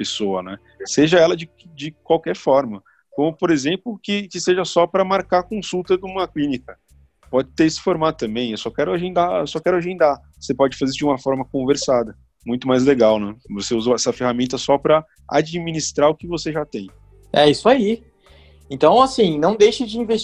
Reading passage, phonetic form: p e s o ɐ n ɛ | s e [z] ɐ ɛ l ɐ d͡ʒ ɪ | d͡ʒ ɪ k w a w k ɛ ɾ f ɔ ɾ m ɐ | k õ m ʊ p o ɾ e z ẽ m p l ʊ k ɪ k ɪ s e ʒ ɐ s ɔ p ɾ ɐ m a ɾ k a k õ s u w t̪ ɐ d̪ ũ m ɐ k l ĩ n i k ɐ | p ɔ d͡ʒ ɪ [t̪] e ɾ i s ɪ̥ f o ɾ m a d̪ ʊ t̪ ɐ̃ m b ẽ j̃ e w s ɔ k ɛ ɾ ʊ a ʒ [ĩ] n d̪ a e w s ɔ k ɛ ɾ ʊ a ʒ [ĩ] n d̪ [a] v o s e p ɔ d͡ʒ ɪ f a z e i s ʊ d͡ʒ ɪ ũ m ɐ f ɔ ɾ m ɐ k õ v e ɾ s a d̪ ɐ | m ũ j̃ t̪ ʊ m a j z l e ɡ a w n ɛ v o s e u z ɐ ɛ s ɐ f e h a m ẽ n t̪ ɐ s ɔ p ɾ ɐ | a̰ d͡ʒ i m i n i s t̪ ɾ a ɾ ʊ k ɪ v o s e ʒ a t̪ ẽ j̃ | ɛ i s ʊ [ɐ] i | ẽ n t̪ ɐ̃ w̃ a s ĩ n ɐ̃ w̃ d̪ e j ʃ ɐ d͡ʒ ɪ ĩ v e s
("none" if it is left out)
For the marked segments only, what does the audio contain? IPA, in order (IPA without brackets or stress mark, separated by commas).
ʒ, t̪, ẽ, ẽ, a, a